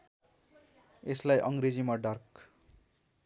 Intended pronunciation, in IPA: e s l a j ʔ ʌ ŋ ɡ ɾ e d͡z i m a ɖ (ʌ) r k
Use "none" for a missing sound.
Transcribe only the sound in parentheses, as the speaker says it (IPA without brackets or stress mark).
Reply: ʌ